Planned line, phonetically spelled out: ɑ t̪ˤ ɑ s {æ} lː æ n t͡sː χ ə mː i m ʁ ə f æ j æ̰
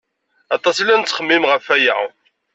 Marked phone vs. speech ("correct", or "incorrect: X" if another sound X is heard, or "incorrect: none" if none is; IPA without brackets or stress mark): incorrect: i